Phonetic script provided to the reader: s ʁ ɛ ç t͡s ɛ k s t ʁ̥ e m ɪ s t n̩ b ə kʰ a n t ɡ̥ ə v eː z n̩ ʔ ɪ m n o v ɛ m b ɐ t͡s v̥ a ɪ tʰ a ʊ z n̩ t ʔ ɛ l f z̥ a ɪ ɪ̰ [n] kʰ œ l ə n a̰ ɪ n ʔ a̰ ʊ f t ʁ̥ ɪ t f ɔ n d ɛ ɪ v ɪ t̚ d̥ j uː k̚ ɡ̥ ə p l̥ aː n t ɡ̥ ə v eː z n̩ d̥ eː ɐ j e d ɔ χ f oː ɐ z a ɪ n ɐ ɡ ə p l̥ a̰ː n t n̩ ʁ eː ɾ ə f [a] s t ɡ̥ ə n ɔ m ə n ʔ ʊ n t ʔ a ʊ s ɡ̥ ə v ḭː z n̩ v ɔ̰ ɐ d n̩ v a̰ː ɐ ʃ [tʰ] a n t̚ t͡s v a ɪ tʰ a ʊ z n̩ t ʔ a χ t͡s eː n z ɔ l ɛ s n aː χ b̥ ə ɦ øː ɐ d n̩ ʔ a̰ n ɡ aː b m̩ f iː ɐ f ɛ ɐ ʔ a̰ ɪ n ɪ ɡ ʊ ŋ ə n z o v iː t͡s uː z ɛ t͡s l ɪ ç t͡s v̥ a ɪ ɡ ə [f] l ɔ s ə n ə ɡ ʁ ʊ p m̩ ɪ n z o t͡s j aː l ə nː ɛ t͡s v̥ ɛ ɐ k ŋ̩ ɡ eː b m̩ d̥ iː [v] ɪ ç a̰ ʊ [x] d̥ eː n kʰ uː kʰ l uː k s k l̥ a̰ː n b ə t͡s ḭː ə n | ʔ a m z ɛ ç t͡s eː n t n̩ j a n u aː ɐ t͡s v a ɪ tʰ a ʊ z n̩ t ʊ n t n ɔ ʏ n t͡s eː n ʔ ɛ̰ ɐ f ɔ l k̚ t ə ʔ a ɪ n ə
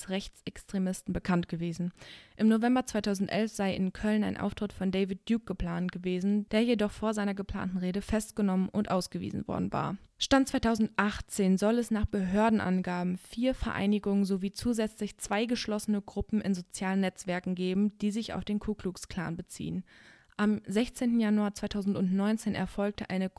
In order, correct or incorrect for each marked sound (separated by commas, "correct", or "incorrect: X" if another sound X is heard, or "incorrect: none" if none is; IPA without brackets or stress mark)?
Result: correct, incorrect: ɛ, incorrect: t, incorrect: ʃ, incorrect: z, incorrect: f